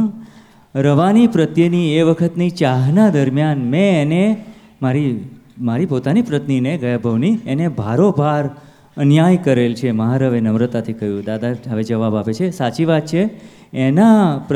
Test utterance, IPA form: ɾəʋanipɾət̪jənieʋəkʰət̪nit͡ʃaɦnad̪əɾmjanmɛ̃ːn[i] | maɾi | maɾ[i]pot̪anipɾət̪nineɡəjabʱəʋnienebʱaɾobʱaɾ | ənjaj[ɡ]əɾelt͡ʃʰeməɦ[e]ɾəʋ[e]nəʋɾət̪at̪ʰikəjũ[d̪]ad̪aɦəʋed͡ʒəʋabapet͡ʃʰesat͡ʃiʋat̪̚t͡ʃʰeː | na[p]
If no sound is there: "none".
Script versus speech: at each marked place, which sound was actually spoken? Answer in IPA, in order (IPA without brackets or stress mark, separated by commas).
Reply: e, i, k, a, e, d̪, p